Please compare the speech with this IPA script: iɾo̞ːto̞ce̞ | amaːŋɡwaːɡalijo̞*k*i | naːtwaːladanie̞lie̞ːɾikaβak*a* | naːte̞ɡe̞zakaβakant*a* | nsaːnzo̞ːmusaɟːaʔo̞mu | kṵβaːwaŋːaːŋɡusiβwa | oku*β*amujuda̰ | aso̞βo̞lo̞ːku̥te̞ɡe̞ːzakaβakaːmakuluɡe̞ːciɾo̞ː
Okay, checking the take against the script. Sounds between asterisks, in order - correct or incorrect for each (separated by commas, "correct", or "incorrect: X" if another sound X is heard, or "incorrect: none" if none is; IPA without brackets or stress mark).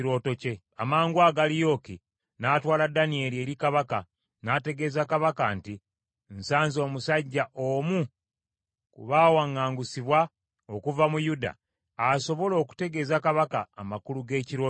correct, correct, incorrect: i, incorrect: v